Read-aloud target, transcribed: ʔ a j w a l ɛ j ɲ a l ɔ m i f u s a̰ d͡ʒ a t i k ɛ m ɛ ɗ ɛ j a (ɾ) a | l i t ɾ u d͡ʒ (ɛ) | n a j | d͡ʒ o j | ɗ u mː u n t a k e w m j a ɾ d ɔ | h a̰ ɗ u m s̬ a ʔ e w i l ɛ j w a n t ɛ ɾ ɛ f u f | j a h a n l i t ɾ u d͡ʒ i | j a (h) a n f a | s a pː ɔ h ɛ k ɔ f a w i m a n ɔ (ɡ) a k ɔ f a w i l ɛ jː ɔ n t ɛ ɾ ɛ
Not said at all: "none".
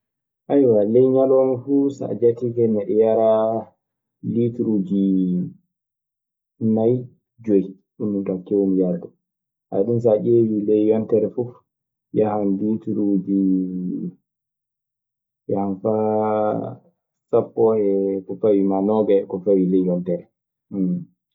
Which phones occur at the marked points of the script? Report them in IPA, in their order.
ɾ, i, h, ɡ

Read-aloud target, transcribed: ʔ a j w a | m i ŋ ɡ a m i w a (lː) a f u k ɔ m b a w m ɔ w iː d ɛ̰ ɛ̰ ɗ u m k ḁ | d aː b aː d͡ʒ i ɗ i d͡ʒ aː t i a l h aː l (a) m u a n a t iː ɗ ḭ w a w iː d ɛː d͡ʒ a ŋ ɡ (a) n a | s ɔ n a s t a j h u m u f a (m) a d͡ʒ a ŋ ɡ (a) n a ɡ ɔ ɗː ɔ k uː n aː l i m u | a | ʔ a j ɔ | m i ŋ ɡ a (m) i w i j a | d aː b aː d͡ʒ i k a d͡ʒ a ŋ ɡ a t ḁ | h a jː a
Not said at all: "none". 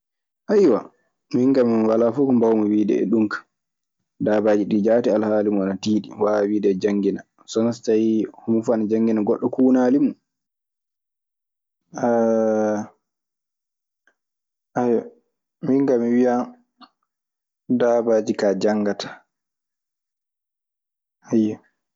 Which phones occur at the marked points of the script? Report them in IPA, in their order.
l, i, i, n, i, m

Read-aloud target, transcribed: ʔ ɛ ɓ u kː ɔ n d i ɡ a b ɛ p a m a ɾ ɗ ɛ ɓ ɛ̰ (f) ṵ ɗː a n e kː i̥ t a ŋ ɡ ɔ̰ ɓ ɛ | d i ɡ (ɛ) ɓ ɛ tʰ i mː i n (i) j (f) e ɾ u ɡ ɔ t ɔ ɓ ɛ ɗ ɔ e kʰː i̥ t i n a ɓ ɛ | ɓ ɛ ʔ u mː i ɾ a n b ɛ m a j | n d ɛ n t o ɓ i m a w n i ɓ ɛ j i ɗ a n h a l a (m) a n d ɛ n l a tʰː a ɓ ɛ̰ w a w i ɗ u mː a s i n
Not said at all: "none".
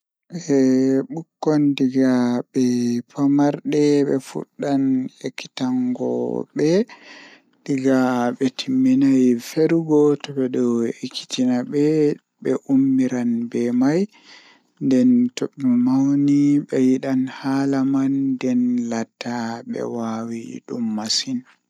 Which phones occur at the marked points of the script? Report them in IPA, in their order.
f, a, a, f, m

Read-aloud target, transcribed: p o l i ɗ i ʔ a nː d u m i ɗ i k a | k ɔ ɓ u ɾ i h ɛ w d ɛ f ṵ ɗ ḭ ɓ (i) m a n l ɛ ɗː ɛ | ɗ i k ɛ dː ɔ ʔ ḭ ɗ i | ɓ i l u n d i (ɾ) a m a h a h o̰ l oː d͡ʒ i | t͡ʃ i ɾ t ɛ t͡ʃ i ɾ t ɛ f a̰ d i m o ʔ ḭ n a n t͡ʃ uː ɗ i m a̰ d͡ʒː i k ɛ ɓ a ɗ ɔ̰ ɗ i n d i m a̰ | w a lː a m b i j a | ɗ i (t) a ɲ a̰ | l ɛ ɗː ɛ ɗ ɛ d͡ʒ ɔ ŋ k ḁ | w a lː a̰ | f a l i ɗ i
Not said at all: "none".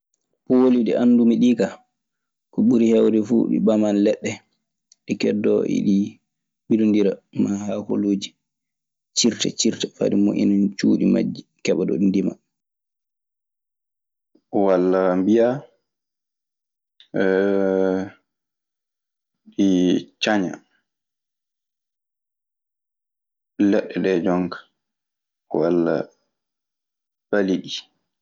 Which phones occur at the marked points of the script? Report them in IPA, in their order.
a, ɾ, t͡ʃ

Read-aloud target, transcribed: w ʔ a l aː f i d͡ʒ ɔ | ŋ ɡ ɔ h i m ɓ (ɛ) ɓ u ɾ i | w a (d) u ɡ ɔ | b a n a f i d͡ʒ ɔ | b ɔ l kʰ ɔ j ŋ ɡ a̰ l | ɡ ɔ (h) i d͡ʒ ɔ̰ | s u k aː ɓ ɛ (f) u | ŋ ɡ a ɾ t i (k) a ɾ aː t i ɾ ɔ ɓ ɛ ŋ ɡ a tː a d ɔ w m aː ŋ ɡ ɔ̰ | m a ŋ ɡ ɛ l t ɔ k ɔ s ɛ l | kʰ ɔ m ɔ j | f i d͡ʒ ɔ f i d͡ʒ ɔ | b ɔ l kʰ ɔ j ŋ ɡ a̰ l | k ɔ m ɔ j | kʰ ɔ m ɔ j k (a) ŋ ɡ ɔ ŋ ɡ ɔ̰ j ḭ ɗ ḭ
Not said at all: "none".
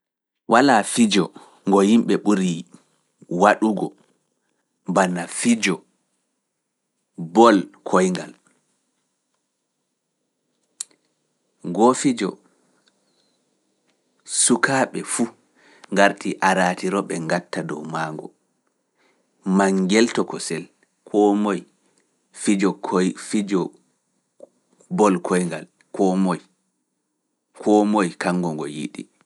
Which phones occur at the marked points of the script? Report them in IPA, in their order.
ɛ, ɗ, f, f, ʔ, a

